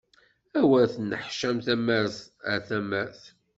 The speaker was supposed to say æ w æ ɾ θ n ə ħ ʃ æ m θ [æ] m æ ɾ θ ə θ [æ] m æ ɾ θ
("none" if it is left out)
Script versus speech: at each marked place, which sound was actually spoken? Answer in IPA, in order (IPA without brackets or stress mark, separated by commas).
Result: æ, æ